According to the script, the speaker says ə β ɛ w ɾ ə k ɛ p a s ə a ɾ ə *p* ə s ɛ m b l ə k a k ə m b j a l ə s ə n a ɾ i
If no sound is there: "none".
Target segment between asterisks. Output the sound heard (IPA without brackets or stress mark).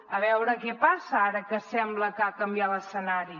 k